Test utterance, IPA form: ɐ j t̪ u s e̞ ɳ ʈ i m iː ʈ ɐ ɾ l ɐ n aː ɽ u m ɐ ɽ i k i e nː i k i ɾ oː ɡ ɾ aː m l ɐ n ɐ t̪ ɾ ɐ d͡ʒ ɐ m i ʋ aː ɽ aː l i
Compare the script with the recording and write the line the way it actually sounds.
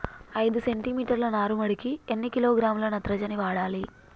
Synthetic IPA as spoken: ɐ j d̪ u s e̞ ɳ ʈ i m iː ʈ ɐ ɾ l ɐ n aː ɾ u m ɐ ɽ i k i e nː i k i l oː ɡ ɾ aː m l ɐ n ɐ t̪ ɾ ɐ d͡ʒ ɐ n i ʋ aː ɽ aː l i